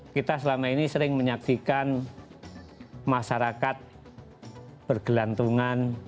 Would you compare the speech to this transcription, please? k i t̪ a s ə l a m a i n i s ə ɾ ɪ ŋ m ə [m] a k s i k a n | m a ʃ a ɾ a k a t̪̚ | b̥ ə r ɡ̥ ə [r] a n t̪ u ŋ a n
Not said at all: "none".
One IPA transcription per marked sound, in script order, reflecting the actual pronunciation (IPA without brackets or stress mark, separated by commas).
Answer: ɲ, l